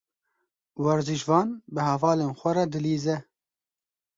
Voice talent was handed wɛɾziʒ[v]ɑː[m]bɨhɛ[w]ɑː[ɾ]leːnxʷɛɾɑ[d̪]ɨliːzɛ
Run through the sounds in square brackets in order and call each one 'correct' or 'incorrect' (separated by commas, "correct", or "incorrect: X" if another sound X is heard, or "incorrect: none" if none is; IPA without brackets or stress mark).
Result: correct, incorrect: n, incorrect: v, incorrect: none, correct